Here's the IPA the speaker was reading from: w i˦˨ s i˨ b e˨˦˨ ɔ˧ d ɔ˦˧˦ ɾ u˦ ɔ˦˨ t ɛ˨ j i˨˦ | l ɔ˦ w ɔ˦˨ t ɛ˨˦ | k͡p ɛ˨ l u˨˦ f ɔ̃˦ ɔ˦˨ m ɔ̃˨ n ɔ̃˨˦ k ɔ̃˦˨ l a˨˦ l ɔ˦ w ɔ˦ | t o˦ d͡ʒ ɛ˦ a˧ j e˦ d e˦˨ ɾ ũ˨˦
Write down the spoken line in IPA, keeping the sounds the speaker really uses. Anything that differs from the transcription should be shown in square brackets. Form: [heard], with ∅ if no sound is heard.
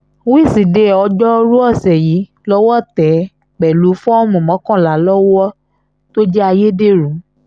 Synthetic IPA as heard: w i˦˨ s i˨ [d] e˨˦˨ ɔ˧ [d͡ʒ] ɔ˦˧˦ ɾ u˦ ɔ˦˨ [s] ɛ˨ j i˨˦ | l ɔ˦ w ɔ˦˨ t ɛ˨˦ | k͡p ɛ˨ l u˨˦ f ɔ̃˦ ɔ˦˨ m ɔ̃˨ [m] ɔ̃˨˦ k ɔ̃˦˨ l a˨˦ l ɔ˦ w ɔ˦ | t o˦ d͡ʒ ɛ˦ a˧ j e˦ d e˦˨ ɾ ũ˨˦